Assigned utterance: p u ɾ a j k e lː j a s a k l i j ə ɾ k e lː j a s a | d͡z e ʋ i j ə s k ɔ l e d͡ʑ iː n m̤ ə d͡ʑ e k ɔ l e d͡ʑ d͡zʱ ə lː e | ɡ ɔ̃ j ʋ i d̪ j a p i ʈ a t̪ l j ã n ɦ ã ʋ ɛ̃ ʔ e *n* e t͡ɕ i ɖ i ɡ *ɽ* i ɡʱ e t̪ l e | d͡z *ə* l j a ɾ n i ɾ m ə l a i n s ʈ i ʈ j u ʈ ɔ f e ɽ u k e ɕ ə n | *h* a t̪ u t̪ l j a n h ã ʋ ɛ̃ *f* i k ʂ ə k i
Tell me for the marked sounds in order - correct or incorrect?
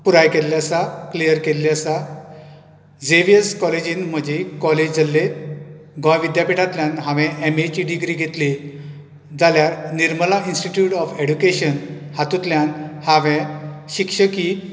incorrect: m, incorrect: ɾ, incorrect: a, correct, incorrect: ɕ

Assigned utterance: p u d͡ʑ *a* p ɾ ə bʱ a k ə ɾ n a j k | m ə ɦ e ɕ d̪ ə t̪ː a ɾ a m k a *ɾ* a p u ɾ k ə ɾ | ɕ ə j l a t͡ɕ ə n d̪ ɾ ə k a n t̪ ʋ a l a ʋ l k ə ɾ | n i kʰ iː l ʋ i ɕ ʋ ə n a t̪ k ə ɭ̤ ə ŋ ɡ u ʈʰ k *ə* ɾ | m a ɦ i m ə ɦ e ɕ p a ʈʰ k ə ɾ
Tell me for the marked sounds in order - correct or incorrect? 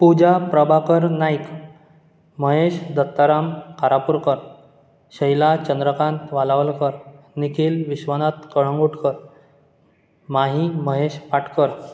correct, correct, correct

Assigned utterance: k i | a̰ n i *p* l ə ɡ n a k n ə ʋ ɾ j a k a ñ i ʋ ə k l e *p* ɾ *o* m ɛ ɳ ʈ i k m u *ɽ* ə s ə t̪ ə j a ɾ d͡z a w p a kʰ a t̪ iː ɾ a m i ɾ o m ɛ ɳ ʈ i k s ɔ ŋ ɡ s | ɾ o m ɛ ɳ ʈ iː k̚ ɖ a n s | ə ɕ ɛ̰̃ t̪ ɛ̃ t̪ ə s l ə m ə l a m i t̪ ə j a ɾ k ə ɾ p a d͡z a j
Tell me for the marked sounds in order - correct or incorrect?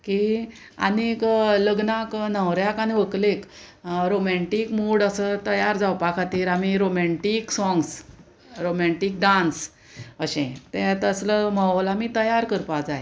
incorrect: k, incorrect: k, correct, correct

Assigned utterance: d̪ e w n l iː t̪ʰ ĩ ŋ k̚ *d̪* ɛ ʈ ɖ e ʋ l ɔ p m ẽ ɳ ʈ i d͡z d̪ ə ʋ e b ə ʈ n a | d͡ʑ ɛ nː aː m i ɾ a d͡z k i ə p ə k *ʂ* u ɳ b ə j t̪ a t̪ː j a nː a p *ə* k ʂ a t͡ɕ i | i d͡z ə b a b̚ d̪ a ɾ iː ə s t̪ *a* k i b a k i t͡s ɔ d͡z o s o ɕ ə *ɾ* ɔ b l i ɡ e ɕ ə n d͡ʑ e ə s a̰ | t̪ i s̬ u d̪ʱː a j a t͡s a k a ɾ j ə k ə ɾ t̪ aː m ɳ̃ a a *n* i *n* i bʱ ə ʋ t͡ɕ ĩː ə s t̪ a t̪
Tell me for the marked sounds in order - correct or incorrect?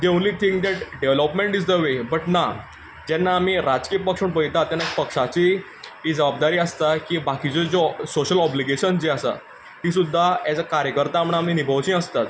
correct, correct, correct, correct, incorrect: l, incorrect: m, correct

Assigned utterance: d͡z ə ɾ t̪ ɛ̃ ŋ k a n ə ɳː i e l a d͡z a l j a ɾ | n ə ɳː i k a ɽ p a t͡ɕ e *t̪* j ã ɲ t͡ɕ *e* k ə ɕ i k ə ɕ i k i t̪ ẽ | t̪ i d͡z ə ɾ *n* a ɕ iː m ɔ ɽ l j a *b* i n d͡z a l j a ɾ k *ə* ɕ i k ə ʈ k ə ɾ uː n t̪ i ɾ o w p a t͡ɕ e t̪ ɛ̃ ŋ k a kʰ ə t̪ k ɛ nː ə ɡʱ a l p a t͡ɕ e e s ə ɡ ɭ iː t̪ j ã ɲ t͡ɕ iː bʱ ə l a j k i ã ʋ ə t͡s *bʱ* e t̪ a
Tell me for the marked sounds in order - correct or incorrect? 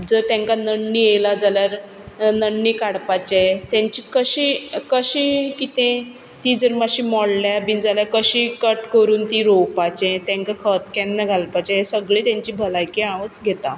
correct, incorrect: i, incorrect: m, correct, correct, incorrect: ɡʱ

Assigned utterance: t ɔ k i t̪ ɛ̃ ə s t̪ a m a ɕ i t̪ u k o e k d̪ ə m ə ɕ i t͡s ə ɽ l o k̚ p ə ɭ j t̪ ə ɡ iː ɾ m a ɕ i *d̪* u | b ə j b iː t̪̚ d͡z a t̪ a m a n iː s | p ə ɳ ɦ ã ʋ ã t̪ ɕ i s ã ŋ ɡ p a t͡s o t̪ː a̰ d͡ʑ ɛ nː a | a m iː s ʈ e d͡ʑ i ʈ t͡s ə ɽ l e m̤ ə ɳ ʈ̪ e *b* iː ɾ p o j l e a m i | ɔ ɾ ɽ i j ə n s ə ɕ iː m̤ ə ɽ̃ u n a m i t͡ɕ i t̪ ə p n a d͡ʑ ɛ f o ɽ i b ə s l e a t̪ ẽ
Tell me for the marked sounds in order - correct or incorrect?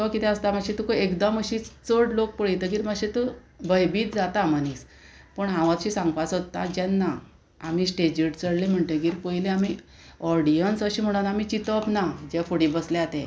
incorrect: t̪, incorrect: ɡ

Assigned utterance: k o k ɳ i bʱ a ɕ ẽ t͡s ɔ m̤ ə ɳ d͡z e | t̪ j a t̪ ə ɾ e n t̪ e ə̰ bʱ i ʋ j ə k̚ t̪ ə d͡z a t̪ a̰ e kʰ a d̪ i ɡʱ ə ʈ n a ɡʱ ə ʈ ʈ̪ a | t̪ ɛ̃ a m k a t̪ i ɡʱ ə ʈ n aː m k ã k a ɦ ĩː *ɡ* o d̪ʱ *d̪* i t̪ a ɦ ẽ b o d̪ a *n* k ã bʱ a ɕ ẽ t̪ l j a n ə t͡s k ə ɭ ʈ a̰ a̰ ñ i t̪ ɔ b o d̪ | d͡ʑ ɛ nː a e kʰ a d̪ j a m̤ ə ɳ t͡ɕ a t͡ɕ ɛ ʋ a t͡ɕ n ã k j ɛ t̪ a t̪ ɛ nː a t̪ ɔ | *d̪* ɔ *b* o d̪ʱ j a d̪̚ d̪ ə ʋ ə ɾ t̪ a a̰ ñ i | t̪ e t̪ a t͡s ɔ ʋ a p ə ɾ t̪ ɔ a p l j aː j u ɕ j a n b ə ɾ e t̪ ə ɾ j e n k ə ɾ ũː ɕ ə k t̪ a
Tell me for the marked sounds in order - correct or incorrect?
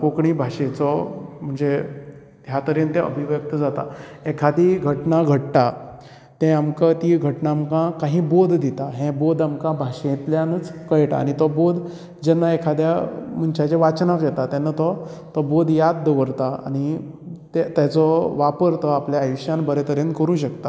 incorrect: b, correct, incorrect: m, incorrect: t̪, correct

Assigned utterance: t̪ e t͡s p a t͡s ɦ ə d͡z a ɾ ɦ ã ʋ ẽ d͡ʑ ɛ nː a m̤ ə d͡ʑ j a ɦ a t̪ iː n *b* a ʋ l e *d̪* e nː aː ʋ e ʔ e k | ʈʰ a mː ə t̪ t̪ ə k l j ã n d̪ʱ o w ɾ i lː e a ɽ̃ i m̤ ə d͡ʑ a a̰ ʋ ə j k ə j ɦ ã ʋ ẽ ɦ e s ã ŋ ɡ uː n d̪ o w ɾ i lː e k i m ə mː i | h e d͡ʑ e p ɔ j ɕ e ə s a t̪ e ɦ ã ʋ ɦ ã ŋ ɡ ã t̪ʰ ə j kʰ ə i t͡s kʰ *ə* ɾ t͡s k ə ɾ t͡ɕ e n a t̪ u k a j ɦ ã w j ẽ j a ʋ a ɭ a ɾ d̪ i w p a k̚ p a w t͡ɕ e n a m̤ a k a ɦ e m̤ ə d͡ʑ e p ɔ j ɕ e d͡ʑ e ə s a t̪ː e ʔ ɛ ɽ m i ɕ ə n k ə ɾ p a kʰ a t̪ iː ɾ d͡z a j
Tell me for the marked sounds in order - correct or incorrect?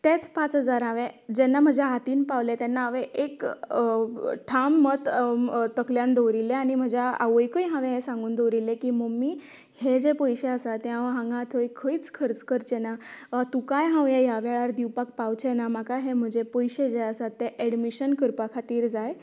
incorrect: p, incorrect: t̪, correct

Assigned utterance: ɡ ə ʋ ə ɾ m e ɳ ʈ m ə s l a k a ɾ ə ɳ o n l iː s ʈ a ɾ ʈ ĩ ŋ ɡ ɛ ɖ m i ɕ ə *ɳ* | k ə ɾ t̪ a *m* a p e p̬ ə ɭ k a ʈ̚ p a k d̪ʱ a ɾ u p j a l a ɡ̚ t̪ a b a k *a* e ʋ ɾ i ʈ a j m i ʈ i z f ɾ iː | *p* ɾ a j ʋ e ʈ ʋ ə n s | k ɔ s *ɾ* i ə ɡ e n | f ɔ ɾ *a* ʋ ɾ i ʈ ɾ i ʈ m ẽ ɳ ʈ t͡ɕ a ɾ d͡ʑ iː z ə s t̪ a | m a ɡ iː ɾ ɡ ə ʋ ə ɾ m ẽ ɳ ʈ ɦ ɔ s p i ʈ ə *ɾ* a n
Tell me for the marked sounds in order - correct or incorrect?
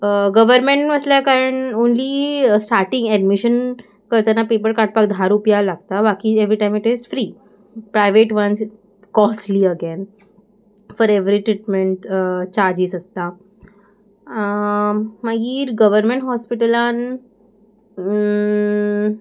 incorrect: n, incorrect: n, incorrect: i, correct, incorrect: l, incorrect: e, incorrect: l

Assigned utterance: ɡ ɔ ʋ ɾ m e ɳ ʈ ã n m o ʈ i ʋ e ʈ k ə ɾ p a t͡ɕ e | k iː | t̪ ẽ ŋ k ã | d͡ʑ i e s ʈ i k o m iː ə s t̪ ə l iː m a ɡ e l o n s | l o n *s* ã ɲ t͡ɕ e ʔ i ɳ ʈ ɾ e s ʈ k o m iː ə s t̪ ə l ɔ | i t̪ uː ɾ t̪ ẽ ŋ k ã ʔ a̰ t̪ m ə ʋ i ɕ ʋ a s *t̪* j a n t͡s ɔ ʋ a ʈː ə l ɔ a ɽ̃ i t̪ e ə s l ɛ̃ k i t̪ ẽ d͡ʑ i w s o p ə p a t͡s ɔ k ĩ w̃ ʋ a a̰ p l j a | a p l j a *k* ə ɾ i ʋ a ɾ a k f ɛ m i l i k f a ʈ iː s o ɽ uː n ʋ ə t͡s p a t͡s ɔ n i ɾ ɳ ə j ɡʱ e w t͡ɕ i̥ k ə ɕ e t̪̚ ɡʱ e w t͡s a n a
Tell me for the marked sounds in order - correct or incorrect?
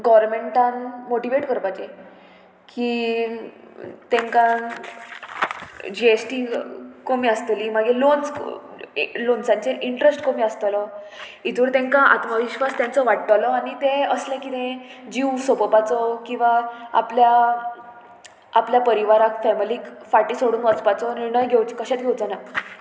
correct, correct, incorrect: p

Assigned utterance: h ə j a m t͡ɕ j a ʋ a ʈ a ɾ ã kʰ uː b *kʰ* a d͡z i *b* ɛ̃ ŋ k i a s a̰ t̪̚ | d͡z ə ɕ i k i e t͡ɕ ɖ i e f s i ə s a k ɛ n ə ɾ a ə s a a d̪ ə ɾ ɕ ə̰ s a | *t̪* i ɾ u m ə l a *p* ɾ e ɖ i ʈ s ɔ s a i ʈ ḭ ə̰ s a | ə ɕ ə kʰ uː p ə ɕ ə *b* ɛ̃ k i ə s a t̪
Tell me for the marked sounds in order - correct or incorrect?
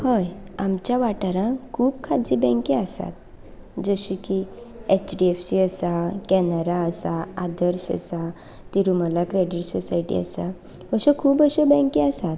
correct, correct, correct, incorrect: k, correct

